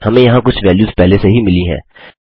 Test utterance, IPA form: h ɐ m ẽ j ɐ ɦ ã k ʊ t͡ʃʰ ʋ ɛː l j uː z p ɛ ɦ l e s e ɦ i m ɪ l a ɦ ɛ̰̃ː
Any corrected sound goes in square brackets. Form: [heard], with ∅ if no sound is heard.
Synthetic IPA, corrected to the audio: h ɐ m ẽ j ɐ ɦ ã k ʊ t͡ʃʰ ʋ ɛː l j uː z p ɛ ɦ l e s e ɦ i m ɪ l [i] ɦ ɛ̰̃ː